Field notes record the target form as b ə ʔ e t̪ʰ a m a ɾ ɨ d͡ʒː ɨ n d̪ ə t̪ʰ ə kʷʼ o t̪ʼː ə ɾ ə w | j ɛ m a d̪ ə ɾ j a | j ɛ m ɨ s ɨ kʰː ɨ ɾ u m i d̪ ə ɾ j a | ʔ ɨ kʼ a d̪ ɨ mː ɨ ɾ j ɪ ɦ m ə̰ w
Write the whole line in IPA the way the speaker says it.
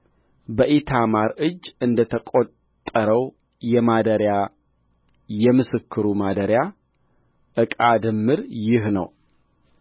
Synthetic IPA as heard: b ə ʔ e t̪ʰ a m a ɾ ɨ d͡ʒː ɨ n d̪ ə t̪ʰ ə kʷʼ o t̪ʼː ə ɾ ə w | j ɛ m a d̪ ə ɾ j a | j ɛ m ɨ s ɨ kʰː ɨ ɾ u m a d̪ ə ɾ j a | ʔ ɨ kʼ a d̪ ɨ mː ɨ ɾ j ɪ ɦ n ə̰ w